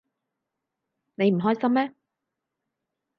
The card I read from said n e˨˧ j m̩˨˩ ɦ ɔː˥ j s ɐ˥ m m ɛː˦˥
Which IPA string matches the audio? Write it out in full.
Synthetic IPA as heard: n e˨˧ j m̩˨˩ ɦ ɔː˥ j s ɐ˥ m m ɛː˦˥